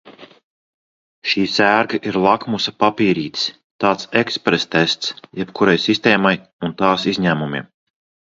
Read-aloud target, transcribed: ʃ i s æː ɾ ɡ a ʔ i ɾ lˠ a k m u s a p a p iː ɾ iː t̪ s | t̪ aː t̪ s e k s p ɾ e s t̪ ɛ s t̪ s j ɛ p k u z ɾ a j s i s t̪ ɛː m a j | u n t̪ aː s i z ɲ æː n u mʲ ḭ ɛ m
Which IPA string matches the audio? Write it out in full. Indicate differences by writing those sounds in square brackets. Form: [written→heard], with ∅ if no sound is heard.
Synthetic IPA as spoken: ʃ [i→iː] s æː ɾ ɡ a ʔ i ɾ lˠ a k m u s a p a p iː ɾ iː t̪ s | t̪ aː t̪ s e k s p ɾ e s t̪ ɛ s t̪ s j ɛ p k u [z→∅] ɾ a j s i s t̪ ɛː m a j | u n t̪ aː s i z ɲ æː [n→m] u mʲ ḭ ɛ m